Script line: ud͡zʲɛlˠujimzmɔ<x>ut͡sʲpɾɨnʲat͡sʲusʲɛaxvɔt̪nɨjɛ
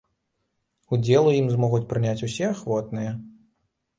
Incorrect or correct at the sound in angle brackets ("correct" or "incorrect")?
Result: incorrect